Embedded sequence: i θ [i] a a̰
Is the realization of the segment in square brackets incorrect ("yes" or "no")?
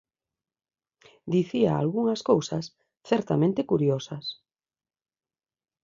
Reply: no